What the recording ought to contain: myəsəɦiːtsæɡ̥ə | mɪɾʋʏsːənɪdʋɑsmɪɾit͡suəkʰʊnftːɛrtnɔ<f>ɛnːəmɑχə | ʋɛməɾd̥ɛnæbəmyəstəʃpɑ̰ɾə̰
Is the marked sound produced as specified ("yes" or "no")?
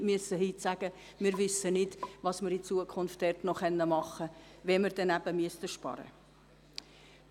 no